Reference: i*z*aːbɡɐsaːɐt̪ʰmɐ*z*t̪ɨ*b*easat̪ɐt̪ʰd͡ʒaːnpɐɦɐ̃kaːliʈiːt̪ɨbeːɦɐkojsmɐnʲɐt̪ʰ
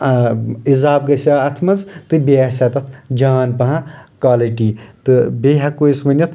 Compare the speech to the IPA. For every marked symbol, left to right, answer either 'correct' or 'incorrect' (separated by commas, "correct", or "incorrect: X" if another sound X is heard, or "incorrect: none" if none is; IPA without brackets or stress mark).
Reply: correct, correct, correct